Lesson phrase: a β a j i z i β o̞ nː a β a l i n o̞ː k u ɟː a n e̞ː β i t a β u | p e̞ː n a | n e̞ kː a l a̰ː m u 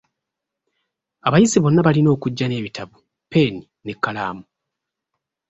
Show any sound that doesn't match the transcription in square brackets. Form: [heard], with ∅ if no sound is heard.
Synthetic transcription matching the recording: a β a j i z i β o̞ nː a β a l i n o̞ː k u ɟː a n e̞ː β i t a β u | p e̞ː n [i] | n e̞ kː a l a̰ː m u